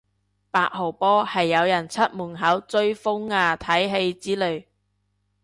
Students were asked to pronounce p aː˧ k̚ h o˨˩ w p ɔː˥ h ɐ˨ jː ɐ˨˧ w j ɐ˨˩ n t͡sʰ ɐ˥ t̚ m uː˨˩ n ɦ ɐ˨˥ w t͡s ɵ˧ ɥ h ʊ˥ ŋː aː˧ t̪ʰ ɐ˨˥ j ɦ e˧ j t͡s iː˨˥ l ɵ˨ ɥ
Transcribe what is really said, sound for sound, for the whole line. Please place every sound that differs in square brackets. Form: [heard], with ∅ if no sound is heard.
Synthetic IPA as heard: p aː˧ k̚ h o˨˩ w p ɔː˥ h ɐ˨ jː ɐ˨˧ w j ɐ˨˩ n t͡sʰ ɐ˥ t̚ m uː˨˩ n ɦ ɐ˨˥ w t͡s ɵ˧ ɥ [f] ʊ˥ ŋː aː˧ t̪ʰ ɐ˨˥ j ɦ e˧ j t͡s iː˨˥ l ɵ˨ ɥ